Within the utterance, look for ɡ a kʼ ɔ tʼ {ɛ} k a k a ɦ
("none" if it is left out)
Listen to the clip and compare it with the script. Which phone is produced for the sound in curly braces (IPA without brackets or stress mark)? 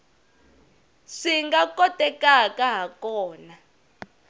ɛ